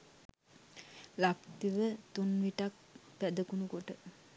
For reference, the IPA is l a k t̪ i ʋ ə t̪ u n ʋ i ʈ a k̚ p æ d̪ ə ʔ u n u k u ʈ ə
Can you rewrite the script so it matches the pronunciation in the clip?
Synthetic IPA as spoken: l a k t̪ i ʋ ə t̪ u n ʋ i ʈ a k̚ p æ d̪ ə k u n u k o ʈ ə